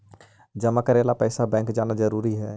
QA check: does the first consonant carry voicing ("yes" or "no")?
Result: yes